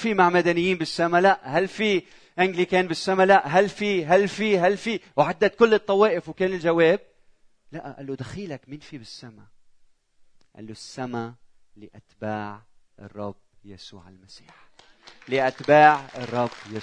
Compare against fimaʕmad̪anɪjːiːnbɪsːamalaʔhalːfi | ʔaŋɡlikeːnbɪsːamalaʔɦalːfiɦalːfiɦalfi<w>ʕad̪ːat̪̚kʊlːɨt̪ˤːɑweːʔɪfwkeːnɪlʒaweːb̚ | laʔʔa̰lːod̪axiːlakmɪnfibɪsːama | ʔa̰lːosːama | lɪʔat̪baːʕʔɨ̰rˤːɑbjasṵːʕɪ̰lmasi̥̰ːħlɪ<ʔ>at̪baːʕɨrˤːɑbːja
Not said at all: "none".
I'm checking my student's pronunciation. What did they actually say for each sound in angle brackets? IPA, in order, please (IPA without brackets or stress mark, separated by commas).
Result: w, ʔ